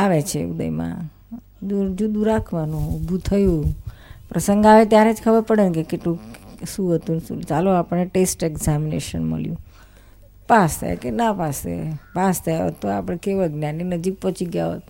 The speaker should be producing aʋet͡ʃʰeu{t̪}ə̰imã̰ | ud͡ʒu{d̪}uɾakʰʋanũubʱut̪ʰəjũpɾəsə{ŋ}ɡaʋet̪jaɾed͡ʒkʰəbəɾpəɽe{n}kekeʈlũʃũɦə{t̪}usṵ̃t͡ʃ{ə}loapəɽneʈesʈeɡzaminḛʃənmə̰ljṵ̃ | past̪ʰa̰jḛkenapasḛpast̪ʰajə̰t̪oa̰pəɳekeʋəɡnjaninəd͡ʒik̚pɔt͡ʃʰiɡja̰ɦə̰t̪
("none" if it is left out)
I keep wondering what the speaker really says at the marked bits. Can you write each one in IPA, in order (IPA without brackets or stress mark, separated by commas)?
d̪, d̪, ŋ, n, t̪, a